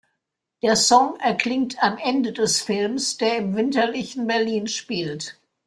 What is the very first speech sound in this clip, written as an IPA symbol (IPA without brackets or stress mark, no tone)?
d̥